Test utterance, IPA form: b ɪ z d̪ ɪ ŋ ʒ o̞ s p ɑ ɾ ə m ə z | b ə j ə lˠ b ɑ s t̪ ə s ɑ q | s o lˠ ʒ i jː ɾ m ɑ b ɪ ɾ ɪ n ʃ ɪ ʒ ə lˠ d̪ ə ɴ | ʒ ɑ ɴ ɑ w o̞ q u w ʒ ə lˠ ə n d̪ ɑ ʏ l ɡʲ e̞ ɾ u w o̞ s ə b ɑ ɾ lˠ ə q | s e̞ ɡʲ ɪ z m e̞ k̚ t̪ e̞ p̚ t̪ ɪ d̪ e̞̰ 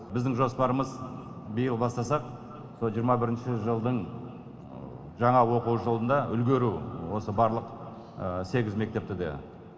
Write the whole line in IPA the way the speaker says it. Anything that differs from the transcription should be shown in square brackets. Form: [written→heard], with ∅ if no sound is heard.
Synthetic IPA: b ɪ z d̪ ɪ ŋ ʒ o̞ s p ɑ ɾ ə m ə z | b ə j ə lˠ b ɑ s t̪ [ə→ɑ] s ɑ q | s o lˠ ʒ i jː ɾ m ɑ b ɪ ɾ ɪ n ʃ ɪ ʒ ə lˠ d̪ ə ɴ | ʒ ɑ ɴ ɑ w o̞ q u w ʒ ə lˠ ə n d̪ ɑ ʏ l ɡʲ e̞ ɾ u w o̞ s ə b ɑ ɾ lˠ ə q | s e̞ ɡʲ ɪ z m e̞ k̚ t̪ e̞ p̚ t̪ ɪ d̪ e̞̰